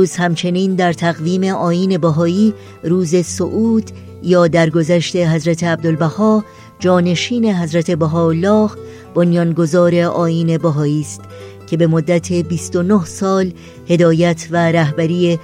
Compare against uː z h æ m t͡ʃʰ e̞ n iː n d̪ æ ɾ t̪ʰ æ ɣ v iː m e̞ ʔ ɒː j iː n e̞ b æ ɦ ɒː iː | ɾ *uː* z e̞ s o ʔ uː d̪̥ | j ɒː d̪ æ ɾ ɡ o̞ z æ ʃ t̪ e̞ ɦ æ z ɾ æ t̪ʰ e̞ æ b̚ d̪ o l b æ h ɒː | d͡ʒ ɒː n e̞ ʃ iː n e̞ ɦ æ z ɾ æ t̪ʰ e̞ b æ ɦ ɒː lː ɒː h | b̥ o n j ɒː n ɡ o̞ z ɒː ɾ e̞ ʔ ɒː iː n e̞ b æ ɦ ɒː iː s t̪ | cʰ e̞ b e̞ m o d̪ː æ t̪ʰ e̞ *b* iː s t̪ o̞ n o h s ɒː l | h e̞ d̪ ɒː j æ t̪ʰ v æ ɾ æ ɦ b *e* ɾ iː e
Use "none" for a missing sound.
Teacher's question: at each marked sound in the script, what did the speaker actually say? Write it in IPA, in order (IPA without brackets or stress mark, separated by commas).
uː, b, æ